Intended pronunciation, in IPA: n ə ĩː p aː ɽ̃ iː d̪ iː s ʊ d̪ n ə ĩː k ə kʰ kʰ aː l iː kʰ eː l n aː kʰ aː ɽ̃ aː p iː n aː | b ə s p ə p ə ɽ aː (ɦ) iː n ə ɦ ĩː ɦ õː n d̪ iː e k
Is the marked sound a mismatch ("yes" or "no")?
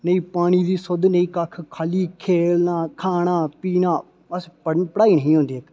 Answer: yes